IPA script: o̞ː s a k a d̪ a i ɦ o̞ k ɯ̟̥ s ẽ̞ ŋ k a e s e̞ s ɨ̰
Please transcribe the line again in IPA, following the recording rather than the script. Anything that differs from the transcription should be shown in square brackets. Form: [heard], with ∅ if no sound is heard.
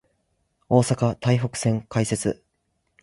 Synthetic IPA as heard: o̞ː s a k a [t̪] a i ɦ o̞ k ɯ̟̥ s ẽ̞ ŋ k a [i] s e̞ [t͡s] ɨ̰